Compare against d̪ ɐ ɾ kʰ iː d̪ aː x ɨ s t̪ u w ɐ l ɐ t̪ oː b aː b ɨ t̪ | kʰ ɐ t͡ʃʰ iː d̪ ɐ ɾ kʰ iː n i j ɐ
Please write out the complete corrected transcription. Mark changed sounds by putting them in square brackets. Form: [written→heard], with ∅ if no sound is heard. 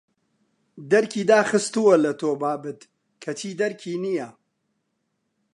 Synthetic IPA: d̪ ɐ ɾ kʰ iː d̪ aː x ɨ s t̪ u w ɐ l ɐ t̪ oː b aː b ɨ t̪ | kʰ ɐ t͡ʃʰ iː d̪ ɐ ɾ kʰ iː n i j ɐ

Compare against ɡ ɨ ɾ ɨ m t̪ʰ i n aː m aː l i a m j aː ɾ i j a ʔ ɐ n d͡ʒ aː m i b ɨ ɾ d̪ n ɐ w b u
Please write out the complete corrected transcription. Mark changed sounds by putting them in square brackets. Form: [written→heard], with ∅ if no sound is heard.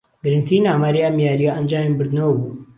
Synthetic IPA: ɡ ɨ ɾ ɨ [m→n] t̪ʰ i n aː m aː [l→ɾ] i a m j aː ɾ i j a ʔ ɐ n d͡ʒ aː m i b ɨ ɾ d̪ n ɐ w b u

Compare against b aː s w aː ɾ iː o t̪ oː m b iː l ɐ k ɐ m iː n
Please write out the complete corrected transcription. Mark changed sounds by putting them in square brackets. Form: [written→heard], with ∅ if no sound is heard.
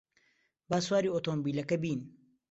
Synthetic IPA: b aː s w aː ɾ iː o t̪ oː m b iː l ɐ k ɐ [m→b] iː n

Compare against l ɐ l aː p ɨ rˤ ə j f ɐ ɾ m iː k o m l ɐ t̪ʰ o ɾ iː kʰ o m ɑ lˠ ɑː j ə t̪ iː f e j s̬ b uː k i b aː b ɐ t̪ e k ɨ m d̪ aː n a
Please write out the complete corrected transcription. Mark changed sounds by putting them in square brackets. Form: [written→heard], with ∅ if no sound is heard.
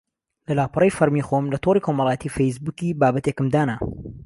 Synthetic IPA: l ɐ l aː p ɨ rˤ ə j f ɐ ɾ m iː [k→x] o m l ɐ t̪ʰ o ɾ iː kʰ o m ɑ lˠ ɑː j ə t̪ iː f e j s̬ b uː k i b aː b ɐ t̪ e k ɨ m d̪ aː n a

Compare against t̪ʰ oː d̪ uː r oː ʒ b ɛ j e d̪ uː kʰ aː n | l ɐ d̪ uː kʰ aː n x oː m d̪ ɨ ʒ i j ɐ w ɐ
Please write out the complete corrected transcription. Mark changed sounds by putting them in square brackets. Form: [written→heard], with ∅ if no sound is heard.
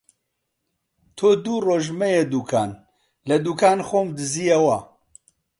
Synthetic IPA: t̪ʰ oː d̪ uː r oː ʒ [b→m] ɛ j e d̪ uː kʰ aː n | l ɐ d̪ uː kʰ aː n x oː m d̪ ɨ [ʒ→z] i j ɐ w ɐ

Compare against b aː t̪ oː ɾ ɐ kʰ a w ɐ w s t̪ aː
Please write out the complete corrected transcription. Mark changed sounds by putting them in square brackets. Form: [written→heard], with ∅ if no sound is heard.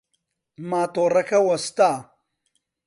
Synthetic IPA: [b→m] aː t̪ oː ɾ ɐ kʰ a w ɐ [w→∅] s t̪ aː

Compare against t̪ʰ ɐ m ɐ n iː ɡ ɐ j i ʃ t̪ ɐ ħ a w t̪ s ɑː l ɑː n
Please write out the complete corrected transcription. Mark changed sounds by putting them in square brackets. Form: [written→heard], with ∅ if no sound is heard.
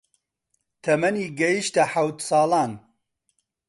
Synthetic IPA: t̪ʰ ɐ m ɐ n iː ɡ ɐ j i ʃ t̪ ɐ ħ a w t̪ s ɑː l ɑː n

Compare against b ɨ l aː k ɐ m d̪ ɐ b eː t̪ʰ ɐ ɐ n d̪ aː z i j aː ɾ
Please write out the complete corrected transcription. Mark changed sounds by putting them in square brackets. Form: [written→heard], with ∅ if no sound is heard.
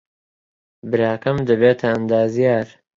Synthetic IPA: b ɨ [l→ɾ] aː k ɐ m d̪ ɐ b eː t̪ʰ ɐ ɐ n d̪ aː z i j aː ɾ

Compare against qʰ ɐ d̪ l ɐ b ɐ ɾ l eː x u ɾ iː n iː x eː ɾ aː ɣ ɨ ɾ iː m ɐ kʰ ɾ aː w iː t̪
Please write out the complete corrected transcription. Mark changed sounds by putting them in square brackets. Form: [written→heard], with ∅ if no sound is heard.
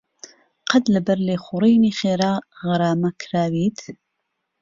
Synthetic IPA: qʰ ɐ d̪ l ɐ b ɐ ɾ l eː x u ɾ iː n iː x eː ɾ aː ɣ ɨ ɾ [iː→aː] m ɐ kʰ ɾ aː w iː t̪

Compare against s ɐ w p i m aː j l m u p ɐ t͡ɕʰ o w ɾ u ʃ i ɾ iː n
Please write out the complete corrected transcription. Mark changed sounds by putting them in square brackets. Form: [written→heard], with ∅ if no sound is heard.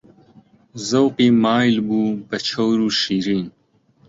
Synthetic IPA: [s→z] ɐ w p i m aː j l [m→b] u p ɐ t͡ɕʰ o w ɾ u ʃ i ɾ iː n

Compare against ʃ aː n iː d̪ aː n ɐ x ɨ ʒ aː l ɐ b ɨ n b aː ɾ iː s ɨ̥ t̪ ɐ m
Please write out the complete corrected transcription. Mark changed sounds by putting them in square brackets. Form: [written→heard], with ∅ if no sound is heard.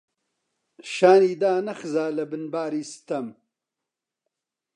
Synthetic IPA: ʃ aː n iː d̪ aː n ɐ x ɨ [ʒ→z] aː l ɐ b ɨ n b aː ɾ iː s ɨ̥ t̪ ɐ m

